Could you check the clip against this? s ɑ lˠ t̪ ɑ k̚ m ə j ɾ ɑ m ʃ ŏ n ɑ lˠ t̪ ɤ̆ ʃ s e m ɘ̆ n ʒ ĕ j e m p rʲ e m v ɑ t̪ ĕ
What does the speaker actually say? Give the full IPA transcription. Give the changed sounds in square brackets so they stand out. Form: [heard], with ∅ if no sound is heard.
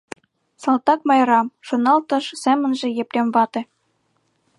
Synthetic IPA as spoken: s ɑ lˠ t̪ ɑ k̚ m [ɑ] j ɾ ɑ m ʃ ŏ n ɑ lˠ t̪ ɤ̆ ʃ s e m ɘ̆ n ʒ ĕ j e [∅] p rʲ e m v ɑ t̪ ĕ